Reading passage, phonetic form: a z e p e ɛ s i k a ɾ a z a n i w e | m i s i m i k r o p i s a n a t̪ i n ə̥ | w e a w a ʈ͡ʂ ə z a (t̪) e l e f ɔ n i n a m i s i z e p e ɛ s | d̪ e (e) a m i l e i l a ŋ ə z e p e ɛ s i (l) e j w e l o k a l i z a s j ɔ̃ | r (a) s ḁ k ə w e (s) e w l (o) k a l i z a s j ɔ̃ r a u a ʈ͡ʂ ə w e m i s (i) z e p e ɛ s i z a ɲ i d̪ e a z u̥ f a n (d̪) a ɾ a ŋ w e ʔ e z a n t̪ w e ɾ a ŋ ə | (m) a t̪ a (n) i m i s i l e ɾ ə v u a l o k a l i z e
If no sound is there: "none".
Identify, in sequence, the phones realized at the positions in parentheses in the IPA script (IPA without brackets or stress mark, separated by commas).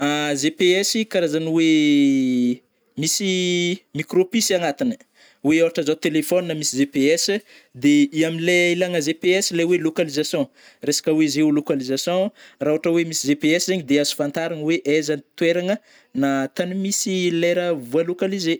t̪, i, l, e, z, o, i, t̪, n, n